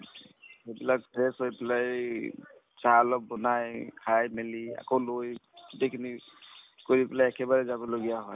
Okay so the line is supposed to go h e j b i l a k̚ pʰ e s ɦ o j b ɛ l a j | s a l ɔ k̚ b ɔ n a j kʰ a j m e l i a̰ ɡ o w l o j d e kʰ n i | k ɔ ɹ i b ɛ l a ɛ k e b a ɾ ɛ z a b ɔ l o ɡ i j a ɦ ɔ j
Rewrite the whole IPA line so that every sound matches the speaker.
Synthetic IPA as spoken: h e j b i l a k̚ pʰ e s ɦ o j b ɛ l a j | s a l ɔ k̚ b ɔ n a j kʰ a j m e l i a̰ k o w l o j d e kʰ n i | k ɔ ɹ i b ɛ l a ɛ k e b a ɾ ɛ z a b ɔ l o ɡ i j a ɦ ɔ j